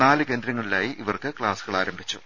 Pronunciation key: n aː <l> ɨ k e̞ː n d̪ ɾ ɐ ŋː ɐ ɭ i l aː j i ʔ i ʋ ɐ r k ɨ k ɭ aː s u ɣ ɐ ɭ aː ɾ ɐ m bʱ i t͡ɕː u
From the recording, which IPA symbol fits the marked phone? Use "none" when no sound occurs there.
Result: l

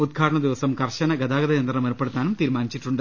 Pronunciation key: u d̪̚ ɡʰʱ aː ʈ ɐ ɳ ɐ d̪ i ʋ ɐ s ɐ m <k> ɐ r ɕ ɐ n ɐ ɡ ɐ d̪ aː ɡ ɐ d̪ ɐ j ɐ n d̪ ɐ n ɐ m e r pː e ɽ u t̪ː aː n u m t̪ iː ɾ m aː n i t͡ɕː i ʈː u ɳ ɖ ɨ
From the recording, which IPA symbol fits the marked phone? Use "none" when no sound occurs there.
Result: k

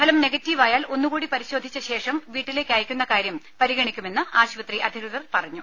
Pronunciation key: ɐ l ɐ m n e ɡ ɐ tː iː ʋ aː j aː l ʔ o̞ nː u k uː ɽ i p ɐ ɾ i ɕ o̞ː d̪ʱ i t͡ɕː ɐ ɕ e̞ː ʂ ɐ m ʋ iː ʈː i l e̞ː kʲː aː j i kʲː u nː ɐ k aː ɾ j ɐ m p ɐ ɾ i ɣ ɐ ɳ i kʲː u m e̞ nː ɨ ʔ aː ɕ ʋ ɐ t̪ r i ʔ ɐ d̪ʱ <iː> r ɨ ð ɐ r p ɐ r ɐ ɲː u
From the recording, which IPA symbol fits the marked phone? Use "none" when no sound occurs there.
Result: i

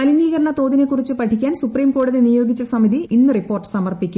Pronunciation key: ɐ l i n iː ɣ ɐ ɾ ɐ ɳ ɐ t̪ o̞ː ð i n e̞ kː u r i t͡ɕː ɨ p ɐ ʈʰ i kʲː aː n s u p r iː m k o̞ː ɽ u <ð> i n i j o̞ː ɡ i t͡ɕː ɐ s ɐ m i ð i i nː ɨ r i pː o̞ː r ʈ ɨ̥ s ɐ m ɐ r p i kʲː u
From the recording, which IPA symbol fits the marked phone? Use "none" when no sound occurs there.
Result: ð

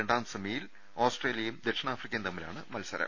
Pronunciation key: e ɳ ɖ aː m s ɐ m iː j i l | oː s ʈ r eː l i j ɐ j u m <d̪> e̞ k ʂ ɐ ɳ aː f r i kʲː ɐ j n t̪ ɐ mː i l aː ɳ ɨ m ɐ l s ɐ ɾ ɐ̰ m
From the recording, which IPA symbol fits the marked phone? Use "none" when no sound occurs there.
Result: d̪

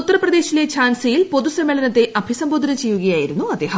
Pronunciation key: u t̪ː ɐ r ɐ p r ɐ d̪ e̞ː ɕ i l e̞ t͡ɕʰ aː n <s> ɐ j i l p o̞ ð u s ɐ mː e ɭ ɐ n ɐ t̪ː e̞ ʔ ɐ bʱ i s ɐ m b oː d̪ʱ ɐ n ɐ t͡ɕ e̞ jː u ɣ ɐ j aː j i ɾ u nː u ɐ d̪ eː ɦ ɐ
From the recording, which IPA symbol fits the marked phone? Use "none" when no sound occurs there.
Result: s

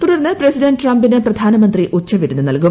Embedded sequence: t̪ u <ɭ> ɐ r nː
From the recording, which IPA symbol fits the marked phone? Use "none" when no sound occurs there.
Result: ɽ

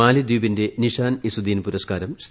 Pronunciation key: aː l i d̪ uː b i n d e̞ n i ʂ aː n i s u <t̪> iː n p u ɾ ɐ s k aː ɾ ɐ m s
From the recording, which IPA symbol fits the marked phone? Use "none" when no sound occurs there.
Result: d̪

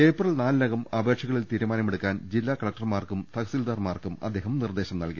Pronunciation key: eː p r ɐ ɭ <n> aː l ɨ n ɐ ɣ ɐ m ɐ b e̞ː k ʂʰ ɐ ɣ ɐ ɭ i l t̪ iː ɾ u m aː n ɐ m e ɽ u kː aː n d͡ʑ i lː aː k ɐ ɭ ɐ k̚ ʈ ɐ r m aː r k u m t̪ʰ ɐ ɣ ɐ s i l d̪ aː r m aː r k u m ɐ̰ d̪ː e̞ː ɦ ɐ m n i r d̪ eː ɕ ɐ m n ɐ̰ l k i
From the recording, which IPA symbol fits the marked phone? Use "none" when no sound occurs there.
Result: n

